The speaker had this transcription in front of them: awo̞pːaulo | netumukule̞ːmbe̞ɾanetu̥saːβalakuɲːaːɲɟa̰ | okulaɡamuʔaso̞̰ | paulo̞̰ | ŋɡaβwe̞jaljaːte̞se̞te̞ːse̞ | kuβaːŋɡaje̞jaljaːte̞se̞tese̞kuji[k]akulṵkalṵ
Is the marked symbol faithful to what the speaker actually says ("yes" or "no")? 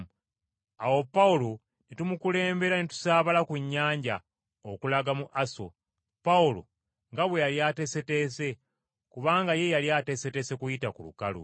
no